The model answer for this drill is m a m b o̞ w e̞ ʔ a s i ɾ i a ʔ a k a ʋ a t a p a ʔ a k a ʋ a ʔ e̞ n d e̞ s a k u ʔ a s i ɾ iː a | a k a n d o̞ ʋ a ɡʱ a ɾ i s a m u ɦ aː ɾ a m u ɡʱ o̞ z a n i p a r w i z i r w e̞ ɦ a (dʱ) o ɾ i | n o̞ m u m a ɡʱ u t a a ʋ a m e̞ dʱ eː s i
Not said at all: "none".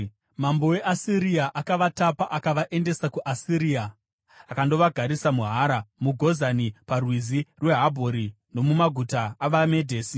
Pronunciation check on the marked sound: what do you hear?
bʱ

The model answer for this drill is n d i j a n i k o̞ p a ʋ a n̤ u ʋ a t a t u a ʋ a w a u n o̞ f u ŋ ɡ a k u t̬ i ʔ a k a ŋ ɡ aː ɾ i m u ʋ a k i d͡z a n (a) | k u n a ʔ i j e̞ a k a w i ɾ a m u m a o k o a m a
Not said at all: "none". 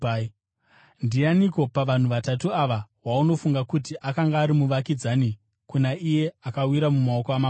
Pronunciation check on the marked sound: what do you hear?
i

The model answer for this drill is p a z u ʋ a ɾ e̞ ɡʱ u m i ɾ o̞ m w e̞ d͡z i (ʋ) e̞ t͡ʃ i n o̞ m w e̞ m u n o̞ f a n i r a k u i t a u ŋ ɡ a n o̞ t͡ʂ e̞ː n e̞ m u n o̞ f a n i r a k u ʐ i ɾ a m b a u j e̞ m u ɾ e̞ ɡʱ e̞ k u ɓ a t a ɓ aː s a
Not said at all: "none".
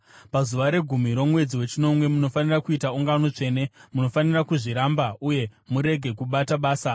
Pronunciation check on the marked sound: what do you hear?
w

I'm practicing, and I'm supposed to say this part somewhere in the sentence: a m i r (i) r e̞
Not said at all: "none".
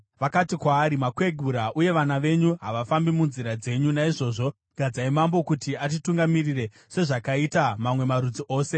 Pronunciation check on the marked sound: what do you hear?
i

